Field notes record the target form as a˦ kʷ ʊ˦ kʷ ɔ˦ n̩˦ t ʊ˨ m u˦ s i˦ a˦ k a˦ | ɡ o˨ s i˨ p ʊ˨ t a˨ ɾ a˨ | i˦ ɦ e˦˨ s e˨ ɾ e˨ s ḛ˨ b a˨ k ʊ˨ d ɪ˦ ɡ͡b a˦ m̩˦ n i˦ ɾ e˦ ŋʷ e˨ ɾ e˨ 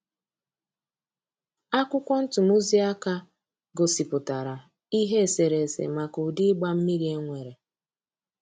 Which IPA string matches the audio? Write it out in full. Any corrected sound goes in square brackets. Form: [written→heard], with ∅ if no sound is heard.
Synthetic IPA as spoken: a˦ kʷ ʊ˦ kʷ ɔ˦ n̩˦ t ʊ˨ m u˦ [s→z] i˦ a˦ k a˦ | ɡ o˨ s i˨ p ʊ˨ t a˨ ɾ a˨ | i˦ ɦ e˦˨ s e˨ ɾ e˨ s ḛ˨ [b→m] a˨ k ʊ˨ d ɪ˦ ɡ͡b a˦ m̩˦ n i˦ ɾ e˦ ŋʷ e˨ ɾ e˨